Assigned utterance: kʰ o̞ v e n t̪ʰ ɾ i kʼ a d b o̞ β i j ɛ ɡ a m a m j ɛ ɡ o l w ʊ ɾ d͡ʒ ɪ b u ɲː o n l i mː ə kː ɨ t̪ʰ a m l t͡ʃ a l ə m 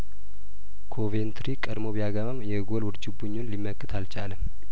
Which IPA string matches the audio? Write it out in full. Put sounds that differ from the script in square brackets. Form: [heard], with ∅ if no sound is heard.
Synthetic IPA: kʰ o̞ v e n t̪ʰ ɾ i kʼ [ə] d [m] o̞ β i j [a] ɡ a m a m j ɛ ɡ o l w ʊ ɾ d͡ʒ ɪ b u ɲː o n l i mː ə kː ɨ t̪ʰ a [∅] l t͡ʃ a l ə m